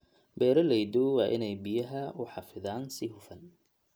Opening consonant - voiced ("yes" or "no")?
yes